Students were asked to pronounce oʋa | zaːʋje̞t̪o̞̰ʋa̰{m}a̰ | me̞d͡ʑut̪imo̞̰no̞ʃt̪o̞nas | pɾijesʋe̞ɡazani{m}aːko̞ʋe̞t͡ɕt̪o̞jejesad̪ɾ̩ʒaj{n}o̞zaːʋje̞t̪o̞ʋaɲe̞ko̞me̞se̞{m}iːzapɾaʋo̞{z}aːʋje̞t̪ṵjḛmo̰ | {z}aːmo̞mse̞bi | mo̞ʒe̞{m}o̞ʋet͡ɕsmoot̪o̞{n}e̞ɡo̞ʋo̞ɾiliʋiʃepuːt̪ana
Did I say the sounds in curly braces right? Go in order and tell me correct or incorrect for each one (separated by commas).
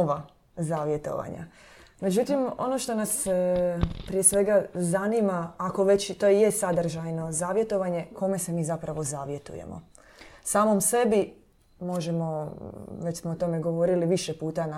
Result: incorrect, correct, correct, correct, correct, incorrect, correct, incorrect